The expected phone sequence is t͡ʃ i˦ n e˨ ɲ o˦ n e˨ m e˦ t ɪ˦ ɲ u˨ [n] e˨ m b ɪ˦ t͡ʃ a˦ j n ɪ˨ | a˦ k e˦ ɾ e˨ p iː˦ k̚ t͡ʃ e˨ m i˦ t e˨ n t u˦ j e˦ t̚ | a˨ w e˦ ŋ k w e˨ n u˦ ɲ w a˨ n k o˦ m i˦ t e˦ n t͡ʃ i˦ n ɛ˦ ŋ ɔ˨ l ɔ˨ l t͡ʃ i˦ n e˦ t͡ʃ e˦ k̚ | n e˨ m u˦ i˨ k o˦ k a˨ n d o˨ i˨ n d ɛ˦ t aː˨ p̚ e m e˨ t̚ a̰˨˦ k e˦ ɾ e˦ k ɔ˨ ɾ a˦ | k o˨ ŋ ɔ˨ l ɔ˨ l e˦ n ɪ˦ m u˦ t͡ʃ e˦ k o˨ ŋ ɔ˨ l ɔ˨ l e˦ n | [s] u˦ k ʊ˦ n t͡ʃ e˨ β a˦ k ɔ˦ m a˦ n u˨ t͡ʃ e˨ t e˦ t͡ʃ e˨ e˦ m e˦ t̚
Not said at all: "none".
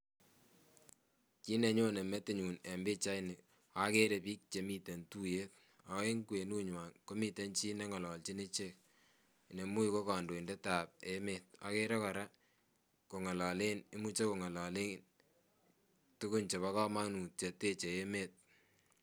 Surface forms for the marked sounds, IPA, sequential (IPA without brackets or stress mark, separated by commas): n, t